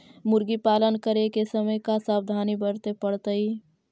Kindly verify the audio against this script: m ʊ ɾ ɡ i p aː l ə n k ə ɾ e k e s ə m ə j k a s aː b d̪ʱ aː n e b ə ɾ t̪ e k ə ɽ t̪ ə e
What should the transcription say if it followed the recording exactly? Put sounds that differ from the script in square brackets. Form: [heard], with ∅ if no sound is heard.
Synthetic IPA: m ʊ ɾ ɡ i p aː l ə n k ə ɾ e k e s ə m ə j k a s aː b d̪ʱ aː n [i] b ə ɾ t̪ e [p] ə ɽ t̪ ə [i]